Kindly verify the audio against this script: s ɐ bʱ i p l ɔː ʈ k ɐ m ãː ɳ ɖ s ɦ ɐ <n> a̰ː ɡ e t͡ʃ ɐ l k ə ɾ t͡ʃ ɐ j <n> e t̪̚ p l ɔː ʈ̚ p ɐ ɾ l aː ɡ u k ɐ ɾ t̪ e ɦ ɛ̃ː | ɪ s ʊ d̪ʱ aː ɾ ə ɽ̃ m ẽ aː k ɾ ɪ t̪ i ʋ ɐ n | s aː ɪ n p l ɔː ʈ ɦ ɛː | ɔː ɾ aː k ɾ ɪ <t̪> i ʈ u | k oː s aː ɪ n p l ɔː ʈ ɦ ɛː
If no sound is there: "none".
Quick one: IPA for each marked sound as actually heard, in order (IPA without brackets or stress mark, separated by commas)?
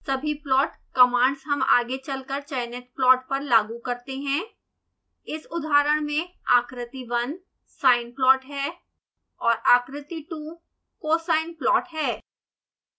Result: m, n, t̪